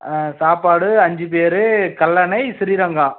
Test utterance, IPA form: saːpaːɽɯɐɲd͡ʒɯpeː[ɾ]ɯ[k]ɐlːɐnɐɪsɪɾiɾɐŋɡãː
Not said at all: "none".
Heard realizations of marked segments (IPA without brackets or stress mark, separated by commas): ɾ, k